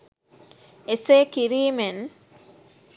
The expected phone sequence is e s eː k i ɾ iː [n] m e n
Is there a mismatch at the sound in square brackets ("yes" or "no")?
yes